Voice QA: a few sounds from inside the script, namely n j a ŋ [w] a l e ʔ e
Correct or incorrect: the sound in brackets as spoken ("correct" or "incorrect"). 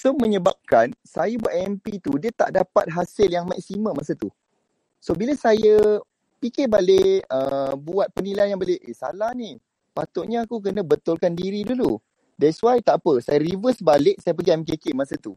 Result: incorrect